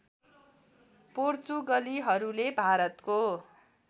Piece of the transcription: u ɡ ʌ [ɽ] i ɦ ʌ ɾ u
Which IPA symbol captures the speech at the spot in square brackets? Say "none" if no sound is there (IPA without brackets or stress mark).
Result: l